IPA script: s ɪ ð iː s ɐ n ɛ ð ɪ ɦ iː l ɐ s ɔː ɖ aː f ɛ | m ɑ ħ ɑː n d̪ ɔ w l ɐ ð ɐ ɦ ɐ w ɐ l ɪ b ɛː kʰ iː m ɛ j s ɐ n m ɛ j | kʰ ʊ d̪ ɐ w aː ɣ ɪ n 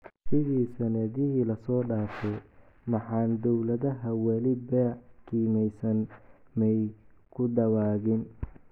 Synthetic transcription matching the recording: s ɪ ð iː s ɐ n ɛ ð ɪ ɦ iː l ɐ s ɔː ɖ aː f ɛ | m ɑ ħ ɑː n d̪ ɔ w l ɐ ð ɐ ɦ ɐ w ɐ l ɪ b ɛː kʰ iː m ɛ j s ɐ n m ɛ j | kʰ ʊ d̪ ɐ w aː ɣ ɪ n